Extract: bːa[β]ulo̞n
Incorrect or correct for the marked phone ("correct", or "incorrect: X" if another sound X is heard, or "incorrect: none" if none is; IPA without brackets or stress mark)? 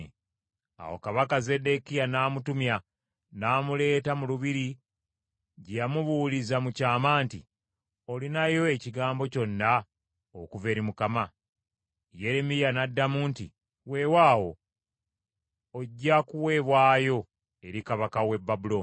incorrect: b